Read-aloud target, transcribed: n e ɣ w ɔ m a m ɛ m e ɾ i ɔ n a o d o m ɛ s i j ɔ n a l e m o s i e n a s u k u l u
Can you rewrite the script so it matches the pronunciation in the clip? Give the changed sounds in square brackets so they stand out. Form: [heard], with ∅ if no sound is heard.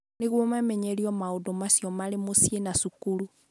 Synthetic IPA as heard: n e ɣ w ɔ m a m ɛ [ɲ] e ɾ i ɔ [m] a o d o m [a] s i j ɔ [m] a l e m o s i e n a s u k u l u